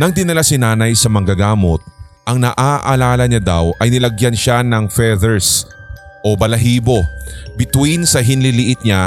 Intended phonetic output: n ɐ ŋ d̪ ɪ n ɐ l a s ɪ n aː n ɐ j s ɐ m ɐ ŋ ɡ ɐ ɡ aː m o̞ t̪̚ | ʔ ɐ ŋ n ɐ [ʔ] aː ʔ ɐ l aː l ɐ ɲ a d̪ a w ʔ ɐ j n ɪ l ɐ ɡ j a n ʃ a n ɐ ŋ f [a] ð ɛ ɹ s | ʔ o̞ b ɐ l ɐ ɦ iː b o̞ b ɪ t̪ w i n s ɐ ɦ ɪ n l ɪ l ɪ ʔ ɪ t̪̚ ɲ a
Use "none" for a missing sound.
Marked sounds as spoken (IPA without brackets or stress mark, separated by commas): ʔ, ɛ